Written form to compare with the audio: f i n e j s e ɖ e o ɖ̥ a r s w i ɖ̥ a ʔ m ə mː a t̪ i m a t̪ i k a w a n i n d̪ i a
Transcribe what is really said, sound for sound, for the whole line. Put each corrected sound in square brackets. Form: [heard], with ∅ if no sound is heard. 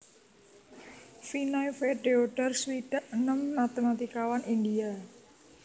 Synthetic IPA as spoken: f i n [a] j [f] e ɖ e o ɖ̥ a r s w i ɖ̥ a ʔ [n] ə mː a t̪ [e] m a t̪ i k a w a n i n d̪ i a